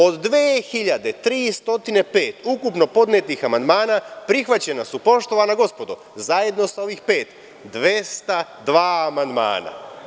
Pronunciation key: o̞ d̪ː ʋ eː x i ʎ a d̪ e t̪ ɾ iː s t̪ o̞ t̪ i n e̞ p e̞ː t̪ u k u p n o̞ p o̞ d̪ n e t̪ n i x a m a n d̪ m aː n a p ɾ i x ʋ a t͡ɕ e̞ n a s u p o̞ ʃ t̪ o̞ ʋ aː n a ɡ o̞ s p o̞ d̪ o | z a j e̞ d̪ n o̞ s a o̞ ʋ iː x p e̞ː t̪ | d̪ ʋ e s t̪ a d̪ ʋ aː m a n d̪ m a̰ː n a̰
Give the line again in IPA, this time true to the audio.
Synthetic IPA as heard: o̞ d̪ː ʋ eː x i ʎ a d̪ e t̪ ɾ iː s t̪ o̞ t̪ i n e̞ p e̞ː t̪ u k u p n o̞ p o̞ d̪ n e t̪ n i x a m a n d̪ m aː n a p ɾ i x ʋ a t͡ɕ e̞ n a s u p o̞ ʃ t̪ o̞ ʋ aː n a ɡ o̞ s p o̞ d̪ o | z a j e̞ d̪ n o̞ s a o̞ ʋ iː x p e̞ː t̪ | d̪ ʋ e s t̪ a d̪ ʋ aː m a n d̪ m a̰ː n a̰